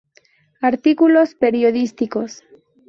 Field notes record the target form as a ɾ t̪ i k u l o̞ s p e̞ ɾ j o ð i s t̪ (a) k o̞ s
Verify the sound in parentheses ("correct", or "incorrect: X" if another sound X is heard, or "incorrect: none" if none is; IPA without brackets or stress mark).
incorrect: i